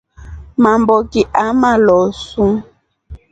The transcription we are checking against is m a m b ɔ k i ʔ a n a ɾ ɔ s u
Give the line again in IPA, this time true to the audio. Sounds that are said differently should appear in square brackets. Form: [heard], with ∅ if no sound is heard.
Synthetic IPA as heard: m a m b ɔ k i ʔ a [m] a [l] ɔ s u